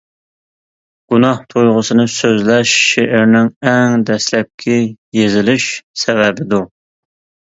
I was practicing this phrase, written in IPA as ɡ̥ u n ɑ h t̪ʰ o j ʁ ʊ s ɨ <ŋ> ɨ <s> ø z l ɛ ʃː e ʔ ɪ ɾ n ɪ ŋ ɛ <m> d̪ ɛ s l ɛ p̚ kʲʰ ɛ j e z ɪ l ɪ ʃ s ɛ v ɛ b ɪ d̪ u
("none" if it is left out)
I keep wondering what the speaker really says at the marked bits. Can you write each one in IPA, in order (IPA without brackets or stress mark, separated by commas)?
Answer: n, s, ŋ